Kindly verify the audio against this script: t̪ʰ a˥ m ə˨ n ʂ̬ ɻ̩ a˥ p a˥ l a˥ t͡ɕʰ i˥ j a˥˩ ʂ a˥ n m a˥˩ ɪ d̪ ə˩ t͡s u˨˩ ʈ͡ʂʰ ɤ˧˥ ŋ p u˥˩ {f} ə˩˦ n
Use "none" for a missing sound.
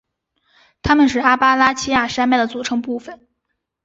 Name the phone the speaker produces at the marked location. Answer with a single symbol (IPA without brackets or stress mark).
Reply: f